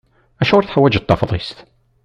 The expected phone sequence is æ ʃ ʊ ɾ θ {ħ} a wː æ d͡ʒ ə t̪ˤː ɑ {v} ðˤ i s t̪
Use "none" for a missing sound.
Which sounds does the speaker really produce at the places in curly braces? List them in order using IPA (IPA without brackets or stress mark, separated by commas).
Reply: ħ, f